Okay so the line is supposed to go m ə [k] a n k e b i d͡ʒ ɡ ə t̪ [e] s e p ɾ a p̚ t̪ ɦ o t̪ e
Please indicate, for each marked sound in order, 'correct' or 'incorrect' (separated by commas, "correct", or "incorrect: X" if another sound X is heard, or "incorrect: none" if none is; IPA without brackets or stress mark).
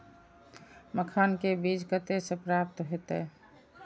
incorrect: kʰ, correct